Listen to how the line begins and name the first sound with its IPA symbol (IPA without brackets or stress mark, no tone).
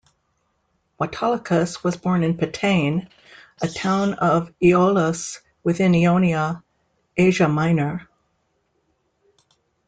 w